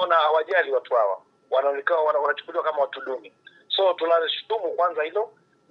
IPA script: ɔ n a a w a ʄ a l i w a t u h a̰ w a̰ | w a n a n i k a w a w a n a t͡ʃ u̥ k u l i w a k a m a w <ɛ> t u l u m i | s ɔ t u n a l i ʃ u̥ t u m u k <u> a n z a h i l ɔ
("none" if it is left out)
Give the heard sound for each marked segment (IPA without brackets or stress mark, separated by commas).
a, w